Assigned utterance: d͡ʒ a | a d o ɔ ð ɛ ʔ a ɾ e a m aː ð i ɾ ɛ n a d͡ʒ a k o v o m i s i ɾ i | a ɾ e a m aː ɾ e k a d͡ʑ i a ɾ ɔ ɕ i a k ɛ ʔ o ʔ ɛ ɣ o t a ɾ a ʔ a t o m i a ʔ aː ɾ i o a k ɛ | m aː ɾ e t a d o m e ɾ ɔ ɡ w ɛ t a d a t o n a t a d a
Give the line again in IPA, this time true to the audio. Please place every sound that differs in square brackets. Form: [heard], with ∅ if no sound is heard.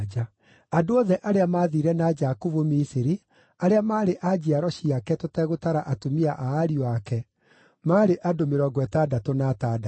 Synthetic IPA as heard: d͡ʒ a | a d o ɔ ð ɛ ʔ a ɾ e a m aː ð i ɾ ɛ n a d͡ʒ a k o v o m i s i ɾ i | a ɾ e a m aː ɾ e [ʔ] a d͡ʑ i a ɾ ɔ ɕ i a k ɛ [t] o [t] ɛ ɣ o t a ɾ a ʔ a t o m i a ʔ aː ɾ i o a k ɛ | m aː ɾ e [ʔ] a d o m e ɾ ɔ ɡ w ɛ t a d a t o n a t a d a